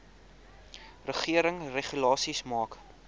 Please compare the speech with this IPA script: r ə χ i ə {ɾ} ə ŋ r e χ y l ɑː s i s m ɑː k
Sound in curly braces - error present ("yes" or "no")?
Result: no